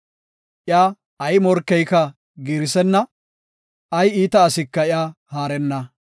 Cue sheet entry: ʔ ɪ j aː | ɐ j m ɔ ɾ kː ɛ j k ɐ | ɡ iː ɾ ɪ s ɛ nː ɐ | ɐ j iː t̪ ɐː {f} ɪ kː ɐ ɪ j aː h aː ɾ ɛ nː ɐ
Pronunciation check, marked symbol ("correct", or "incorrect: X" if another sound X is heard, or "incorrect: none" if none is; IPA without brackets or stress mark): incorrect: s